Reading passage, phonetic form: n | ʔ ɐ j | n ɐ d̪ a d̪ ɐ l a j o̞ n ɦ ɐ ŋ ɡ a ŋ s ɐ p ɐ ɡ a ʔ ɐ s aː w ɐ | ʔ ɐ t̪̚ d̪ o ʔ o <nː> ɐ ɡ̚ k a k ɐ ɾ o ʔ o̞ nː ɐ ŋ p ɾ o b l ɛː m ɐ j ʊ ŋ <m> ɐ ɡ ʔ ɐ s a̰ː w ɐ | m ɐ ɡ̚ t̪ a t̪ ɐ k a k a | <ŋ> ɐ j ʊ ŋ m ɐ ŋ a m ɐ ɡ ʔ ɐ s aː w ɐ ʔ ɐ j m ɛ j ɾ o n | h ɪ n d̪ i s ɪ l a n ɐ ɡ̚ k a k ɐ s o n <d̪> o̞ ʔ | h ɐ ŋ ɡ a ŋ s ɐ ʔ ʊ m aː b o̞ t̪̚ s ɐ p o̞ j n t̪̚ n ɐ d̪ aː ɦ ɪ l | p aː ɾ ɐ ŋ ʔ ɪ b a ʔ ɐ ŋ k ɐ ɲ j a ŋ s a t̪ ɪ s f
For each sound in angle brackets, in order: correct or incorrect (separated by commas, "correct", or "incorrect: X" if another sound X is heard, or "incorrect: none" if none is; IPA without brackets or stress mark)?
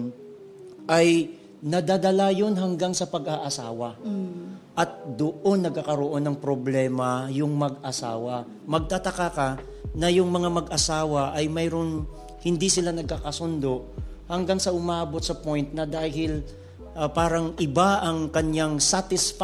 correct, correct, incorrect: n, correct